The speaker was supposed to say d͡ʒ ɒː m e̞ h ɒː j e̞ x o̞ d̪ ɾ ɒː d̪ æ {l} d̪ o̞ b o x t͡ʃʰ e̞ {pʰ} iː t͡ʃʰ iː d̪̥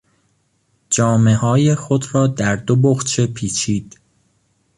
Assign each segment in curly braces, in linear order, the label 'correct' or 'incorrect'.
incorrect, correct

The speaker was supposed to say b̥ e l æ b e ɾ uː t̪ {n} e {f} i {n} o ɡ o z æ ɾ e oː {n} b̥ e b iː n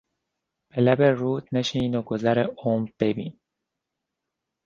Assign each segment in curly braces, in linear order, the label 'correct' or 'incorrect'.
correct, incorrect, correct, incorrect

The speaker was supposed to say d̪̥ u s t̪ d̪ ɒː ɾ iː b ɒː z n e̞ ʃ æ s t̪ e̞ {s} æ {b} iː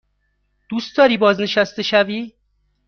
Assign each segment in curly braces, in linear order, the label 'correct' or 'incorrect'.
incorrect, incorrect

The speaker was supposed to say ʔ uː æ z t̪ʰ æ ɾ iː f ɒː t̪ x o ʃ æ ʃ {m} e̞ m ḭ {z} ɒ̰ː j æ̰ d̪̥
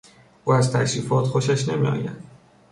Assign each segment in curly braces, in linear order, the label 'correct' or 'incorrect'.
incorrect, incorrect

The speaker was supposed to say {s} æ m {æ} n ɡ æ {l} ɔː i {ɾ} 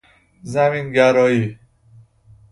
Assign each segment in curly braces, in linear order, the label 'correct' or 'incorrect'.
incorrect, incorrect, incorrect, incorrect

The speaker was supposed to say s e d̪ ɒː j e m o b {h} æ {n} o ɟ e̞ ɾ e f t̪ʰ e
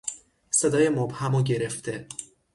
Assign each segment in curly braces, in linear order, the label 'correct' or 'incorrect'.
correct, incorrect

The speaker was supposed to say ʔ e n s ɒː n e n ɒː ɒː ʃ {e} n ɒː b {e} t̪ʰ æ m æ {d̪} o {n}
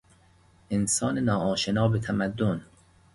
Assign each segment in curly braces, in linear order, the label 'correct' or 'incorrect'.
correct, correct, incorrect, correct

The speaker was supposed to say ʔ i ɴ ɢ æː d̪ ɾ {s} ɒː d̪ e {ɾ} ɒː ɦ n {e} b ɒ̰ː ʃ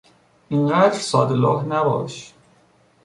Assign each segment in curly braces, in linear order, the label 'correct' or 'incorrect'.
correct, incorrect, incorrect

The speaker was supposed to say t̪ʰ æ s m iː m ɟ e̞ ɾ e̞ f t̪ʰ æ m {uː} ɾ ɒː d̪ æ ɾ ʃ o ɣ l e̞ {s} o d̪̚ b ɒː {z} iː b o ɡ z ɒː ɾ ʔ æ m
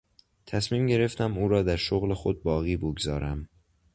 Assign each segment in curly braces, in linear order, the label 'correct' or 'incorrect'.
correct, incorrect, incorrect

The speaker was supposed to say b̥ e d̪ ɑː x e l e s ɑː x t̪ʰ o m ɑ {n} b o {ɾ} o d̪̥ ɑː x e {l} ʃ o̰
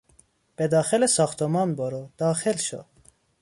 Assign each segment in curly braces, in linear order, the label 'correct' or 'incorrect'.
correct, correct, correct

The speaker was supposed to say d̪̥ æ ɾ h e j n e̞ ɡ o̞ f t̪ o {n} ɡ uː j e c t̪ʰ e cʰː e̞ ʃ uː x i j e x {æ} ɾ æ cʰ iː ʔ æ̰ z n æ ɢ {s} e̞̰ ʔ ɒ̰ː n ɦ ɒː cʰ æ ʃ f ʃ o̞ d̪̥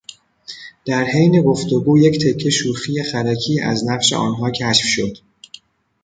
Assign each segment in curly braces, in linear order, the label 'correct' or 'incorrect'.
incorrect, correct, incorrect

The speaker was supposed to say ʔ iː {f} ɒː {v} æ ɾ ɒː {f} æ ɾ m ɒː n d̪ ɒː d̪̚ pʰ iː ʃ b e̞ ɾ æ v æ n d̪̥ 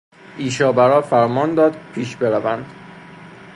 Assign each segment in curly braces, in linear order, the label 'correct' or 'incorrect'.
incorrect, incorrect, correct

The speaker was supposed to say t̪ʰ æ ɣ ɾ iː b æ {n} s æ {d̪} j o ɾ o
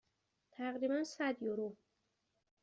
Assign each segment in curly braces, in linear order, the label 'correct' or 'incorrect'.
correct, correct

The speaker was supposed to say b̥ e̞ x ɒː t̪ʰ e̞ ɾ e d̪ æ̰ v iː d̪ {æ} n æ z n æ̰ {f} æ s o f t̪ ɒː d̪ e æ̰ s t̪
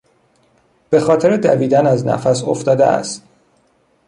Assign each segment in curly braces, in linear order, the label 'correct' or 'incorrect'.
correct, correct

